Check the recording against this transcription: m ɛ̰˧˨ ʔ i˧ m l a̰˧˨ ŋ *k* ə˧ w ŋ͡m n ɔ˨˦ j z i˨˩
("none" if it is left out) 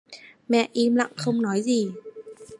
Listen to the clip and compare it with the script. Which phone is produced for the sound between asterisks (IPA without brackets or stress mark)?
x